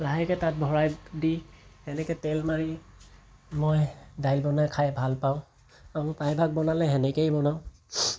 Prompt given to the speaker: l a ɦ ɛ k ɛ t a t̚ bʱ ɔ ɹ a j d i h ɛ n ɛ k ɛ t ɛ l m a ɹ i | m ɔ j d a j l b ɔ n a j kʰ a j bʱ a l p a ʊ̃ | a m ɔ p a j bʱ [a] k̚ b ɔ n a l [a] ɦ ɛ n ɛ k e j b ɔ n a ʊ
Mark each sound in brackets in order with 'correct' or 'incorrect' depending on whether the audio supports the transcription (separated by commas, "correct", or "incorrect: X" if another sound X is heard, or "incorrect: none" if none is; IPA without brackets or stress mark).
correct, incorrect: ɛ